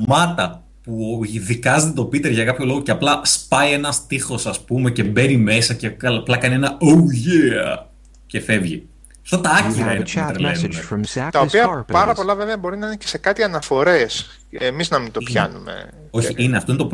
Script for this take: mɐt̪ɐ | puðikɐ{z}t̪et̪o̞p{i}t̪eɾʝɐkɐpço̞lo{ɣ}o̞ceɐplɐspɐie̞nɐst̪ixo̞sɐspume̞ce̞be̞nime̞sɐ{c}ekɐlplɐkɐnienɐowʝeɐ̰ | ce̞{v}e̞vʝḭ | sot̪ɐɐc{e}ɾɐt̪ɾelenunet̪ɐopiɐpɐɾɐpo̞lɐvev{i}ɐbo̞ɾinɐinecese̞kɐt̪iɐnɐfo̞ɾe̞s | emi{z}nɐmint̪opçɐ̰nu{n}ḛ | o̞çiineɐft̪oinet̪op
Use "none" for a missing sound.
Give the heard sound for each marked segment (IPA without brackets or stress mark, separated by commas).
z, i, ɣ, c, f, i, e, z, m